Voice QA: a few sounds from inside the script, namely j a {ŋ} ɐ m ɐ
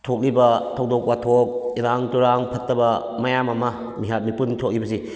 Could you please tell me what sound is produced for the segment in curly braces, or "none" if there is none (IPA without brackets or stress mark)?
m